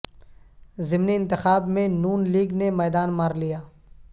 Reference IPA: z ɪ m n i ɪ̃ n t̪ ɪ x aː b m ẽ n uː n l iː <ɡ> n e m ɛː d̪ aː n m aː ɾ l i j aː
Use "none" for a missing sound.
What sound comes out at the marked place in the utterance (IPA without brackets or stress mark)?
ɡ